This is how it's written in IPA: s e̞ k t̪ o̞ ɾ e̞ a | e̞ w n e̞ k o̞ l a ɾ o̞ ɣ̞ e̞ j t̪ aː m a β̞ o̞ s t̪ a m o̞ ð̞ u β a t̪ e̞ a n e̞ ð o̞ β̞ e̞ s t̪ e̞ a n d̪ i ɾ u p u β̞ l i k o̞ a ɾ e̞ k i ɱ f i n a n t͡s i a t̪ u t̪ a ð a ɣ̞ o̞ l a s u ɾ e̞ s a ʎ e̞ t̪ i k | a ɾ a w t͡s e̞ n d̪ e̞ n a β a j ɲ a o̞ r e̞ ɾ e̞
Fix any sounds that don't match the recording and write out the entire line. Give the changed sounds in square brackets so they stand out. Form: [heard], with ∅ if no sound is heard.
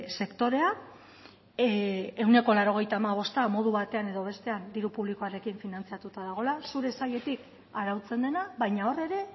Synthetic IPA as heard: s e̞ k t̪ o̞ ɾ e̞ a | e̞ w n e̞ k o̞ l a ɾ o̞ ɣ̞ e̞ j t̪ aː m a β̞ o̞ s t̪ a m o̞ ð̞ u β a t̪ e̞ a n e̞ ð o̞ β̞ e̞ s t̪ e̞ a n d̪ i ɾ u p u β̞ l i k o̞ a ɾ e̞ k i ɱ f i n a n t͡s i a t̪ u t̪ a ð a ɣ̞ o̞ l a s u ɾ e̞ s a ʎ e̞ t̪ i k | a ɾ a w t͡s e̞ n d̪ e̞ n a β a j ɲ a o̞ r e̞ ɾ e̞